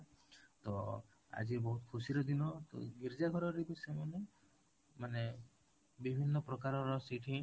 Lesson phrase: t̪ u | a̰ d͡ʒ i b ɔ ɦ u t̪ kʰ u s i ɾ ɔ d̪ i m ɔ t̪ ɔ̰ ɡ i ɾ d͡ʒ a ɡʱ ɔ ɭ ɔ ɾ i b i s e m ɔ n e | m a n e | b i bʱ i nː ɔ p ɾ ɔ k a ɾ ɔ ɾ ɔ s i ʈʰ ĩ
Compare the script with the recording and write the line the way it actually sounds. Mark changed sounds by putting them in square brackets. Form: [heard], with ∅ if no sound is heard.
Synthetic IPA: t̪ [ɔ] | a̰ d͡ʒ i b ɔ ɦ u t̪ kʰ u s i ɾ ɔ d̪ i [n] ɔ t̪ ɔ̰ ɡ i ɾ d͡ʒ a ɡʱ ɔ [ɾ] ɔ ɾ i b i s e m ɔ n e | m a n e | b i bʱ i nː ɔ p ɾ ɔ k a ɾ ɔ ɾ ɔ s i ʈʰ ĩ